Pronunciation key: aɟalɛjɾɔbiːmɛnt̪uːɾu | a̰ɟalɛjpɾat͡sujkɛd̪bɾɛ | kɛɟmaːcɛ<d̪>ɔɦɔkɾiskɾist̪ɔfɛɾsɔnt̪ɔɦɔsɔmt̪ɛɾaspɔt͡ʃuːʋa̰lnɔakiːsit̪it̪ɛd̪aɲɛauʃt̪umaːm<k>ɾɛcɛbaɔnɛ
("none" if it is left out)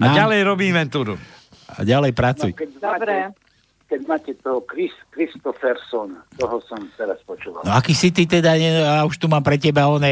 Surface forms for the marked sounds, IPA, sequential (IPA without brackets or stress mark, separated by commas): t̪, p